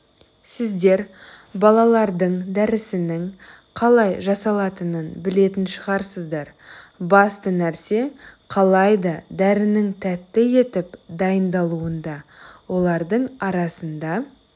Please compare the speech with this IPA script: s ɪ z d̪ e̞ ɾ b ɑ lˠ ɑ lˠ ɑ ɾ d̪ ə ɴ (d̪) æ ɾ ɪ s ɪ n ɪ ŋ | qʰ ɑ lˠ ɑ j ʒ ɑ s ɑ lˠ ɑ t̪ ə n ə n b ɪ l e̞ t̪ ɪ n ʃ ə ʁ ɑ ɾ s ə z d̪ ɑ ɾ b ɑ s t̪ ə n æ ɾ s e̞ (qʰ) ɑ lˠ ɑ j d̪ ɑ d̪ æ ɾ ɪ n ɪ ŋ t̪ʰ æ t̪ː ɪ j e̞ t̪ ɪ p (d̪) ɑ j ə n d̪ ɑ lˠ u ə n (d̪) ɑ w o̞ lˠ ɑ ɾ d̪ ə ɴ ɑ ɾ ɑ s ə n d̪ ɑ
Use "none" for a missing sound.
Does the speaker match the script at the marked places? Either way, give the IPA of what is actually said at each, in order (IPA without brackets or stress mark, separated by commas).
d̪, qʰ, d̪, d̪